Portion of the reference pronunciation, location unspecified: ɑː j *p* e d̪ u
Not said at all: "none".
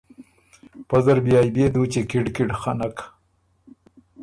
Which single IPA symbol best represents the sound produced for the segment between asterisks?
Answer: b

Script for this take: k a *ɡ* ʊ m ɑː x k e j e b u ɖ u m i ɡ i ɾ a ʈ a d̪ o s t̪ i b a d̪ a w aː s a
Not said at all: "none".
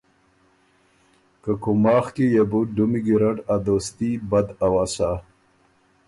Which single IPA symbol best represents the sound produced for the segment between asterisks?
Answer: k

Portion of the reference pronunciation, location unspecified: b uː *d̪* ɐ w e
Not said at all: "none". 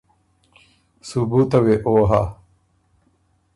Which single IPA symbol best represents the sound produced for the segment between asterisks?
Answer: t̪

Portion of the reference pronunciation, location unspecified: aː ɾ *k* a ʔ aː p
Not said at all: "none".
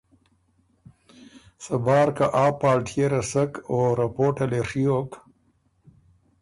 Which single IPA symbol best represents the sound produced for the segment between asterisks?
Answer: k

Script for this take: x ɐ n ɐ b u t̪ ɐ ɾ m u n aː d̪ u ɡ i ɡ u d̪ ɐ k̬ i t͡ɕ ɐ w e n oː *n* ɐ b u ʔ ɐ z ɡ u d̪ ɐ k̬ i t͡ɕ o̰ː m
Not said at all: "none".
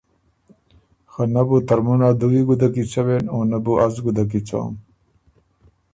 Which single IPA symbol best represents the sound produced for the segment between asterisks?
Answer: n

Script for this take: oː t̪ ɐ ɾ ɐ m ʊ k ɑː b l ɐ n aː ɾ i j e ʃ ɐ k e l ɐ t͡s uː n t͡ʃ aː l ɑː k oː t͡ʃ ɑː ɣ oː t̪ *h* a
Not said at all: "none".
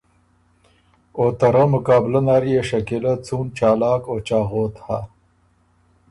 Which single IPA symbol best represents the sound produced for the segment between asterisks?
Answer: h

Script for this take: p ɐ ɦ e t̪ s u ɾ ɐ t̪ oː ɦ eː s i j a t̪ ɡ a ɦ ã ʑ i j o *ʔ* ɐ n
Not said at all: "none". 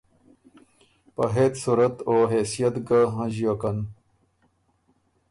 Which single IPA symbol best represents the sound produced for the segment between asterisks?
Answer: k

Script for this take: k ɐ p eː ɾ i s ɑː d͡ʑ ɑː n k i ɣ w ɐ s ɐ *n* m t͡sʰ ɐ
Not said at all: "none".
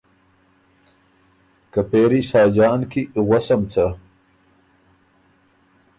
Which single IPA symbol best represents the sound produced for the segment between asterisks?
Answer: none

